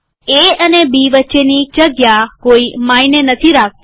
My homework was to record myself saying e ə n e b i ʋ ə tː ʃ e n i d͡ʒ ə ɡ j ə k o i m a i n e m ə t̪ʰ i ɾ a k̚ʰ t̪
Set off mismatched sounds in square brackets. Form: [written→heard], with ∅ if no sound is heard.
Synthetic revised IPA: e ə n e b i ʋ ə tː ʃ e n i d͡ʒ ə ɡ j [ə→a] k o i m a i n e [m→n] ə t̪ʰ i ɾ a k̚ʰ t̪